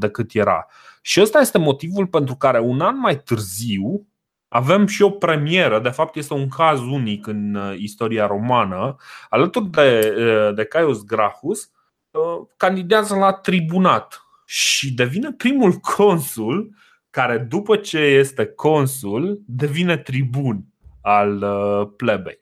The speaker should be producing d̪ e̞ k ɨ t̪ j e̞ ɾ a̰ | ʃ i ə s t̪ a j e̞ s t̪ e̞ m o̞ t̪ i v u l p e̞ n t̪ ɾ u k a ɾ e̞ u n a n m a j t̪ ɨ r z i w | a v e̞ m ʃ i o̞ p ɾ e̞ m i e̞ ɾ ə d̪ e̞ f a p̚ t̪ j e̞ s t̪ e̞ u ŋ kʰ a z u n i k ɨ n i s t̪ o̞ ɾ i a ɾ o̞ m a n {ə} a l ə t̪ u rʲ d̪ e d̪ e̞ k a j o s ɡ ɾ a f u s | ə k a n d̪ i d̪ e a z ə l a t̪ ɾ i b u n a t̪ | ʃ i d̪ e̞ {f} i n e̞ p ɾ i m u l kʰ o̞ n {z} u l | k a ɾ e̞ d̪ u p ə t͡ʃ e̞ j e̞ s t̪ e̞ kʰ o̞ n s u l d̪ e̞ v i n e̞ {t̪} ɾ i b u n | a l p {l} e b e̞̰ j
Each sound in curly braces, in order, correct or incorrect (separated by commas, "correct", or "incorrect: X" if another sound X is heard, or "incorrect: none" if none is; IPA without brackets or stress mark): correct, incorrect: v, incorrect: s, correct, correct